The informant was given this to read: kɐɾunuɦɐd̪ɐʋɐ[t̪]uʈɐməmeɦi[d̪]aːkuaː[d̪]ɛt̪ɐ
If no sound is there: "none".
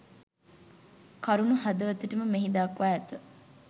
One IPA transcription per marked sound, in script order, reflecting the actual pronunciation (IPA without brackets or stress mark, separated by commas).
t̪, d̪, none